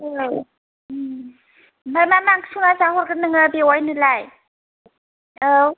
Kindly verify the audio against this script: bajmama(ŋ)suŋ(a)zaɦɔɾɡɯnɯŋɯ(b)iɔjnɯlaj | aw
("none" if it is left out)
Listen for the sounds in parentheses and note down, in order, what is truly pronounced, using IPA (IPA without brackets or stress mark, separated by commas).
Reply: ŋ, a, b